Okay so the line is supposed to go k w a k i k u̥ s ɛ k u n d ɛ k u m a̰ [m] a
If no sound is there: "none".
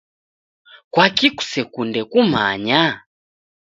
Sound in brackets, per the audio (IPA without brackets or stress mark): ɲ